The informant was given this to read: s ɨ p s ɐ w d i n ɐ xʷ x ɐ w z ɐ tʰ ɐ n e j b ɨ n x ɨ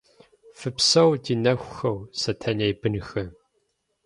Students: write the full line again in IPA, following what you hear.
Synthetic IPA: f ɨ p s ɐ w d i n ɐ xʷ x ɐ w s ɐ tʰ ɐ n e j b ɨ n x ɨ

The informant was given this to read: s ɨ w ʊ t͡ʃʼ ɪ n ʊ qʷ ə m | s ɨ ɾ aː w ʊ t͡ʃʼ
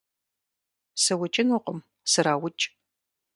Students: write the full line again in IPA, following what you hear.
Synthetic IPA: s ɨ w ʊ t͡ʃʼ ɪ n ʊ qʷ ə m | s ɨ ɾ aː w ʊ t͡ʃʼ

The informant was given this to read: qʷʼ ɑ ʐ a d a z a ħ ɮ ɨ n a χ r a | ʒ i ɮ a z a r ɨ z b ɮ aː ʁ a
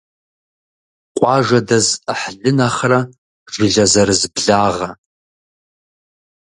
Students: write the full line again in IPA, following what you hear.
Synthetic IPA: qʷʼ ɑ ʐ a d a z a ħ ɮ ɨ n a χ r a | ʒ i ɮ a z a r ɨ z b ɮ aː ʁ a

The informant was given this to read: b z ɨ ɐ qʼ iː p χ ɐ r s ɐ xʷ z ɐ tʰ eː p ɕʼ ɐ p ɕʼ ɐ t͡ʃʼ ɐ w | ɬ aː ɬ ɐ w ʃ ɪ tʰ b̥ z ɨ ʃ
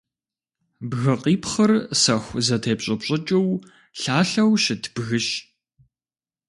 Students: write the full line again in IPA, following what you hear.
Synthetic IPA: b ɣ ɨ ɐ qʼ iː p χ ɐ r s ɐ xʷ z ɐ tʰ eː p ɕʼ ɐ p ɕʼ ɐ t͡ʃʼ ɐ w | ɬ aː ɬ ɐ w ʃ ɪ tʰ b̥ ɣ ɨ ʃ

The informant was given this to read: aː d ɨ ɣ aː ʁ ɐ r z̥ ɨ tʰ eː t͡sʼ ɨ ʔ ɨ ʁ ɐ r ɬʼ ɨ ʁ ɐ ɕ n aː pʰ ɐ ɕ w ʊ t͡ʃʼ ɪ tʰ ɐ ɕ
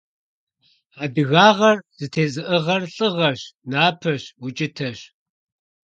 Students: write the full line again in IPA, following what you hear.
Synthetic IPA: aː d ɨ ɣ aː ʁ ɐ r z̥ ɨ tʰ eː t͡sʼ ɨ ʔ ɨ ʁ ɐ r ɬʼ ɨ ʁ ɐ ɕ n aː pʰ ɐ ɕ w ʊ t͡ʃʼ ɪ tʰ ɐ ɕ

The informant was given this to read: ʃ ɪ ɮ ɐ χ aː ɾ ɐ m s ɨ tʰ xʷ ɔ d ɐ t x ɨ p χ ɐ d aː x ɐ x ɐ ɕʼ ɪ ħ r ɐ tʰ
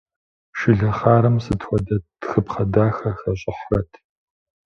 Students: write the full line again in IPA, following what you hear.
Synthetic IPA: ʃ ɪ ɮ ɐ χ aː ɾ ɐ m s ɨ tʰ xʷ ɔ d ɐ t x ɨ p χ ɐ d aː x ɐ x ɐ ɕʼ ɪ ħ r ɐ tʰ

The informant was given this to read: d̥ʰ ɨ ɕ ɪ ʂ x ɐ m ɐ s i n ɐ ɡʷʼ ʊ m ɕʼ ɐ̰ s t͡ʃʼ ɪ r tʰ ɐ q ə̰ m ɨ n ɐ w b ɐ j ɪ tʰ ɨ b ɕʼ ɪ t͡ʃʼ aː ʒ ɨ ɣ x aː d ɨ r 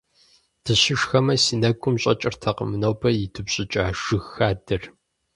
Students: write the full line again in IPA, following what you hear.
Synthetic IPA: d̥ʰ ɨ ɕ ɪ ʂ x ɐ m ɐ s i n ɐ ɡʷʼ ʊ m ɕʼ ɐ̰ t͡ʃʼ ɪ r tʰ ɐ q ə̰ m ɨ n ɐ w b ɐ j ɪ tʰ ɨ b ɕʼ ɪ t͡ʃʼ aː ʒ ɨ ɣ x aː d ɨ r

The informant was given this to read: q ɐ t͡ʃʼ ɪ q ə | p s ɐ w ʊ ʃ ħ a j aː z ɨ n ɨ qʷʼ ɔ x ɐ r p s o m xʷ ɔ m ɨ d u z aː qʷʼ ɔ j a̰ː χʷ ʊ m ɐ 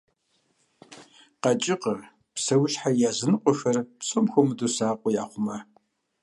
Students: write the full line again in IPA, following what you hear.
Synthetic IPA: q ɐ t͡ʃʼ ɪ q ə | p s ɐ w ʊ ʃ ħ a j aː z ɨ n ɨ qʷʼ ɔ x ɐ r p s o m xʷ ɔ m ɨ d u s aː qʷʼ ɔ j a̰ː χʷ ʊ m ɐ

